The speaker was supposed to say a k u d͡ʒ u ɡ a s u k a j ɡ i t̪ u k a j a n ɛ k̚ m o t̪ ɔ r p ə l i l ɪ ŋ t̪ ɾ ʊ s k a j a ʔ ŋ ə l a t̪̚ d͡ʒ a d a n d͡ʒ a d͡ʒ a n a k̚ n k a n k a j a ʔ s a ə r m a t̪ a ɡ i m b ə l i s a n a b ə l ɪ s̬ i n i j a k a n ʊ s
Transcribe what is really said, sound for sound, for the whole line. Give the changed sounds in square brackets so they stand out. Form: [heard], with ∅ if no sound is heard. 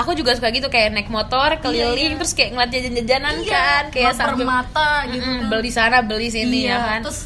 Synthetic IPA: a k u d͡ʒ u ɡ a s u k a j ɡ i t̪ u k a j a n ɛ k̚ m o t̪ ɔ r [k] ə l i l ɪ ŋ t̪ ɾ ʊ s k a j a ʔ ŋ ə l a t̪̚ d͡ʒ a [d͡ʒ] a n d͡ʒ a d͡ʒ a n a [∅] n k a n k a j a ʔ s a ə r m a t̪ a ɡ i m b ə l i s a n a b ə l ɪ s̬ i n i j a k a n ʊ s